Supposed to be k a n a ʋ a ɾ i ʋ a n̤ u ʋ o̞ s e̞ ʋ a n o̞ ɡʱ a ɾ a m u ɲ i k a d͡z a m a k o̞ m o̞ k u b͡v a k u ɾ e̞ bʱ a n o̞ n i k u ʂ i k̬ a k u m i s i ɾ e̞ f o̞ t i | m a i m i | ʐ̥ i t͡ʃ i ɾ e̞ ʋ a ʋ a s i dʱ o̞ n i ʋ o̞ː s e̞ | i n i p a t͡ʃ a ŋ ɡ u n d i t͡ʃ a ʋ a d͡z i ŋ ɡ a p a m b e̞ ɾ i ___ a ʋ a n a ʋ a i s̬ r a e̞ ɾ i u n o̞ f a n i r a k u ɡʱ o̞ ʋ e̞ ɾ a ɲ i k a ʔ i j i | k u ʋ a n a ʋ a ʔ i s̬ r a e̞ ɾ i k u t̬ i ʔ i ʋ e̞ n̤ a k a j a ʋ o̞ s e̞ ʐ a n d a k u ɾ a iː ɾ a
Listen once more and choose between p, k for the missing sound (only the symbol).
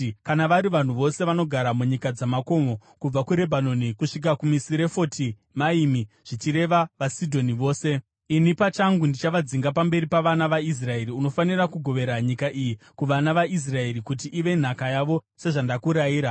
p